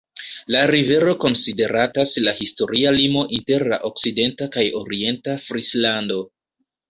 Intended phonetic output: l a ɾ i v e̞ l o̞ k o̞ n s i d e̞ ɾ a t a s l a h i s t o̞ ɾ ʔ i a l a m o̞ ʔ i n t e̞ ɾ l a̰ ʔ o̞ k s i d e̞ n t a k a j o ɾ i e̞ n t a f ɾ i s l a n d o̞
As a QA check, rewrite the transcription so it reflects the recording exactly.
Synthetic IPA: l a ɾ i v e̞ ɾ o̞ k o̞ n s i d e̞ ɾ a t a s l a h i s t o̞ ɾ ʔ i a l i m o̞ ʔ i n t e̞ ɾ l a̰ ʔ o̞ k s i d e̞ n t a k a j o ɾ i e̞ n t a f ɾ i s l a n d o̞